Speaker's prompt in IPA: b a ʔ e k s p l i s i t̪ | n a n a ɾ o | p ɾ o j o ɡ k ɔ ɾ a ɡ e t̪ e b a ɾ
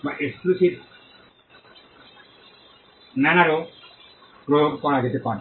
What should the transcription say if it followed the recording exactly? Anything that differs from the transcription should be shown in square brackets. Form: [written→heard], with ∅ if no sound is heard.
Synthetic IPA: b a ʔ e k s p l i s i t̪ | n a n a ɾ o | p ɾ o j o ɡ k ɔ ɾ a ɡ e t̪ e [b→p] a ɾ